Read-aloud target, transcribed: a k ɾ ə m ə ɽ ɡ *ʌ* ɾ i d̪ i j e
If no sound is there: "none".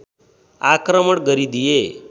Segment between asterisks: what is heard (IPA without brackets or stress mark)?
ə